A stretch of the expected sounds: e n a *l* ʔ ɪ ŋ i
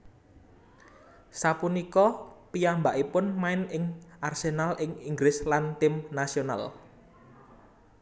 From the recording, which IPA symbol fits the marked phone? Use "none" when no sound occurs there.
l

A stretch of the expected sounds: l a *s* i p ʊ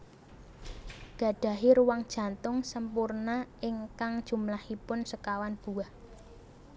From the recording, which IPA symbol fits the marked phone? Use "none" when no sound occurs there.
h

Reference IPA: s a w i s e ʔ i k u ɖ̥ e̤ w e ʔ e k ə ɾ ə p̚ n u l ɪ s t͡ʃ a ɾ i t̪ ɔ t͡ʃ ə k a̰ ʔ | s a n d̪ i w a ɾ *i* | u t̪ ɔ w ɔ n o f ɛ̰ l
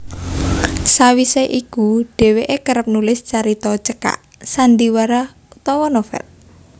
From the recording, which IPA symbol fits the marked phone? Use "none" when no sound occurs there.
a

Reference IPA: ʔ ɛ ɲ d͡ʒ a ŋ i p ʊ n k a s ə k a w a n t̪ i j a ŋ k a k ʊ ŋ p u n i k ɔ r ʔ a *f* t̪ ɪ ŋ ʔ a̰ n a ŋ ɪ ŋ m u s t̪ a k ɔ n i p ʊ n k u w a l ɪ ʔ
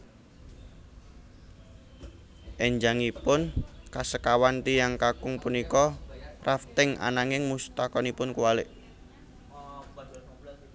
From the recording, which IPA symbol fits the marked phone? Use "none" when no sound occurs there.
f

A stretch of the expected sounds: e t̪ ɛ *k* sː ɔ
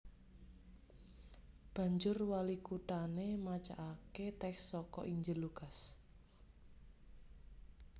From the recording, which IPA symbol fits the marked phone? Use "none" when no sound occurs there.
k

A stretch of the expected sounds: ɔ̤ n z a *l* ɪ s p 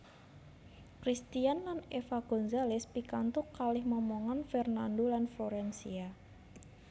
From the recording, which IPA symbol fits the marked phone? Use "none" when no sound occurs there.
l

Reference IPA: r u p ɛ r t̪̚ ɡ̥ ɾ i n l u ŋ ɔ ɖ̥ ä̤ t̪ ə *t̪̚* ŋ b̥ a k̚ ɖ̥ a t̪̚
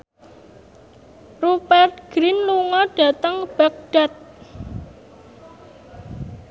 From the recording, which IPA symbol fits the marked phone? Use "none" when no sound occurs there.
none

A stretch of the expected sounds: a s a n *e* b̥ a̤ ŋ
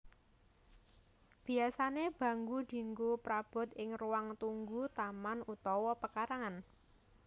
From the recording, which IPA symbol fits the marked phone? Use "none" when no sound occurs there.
e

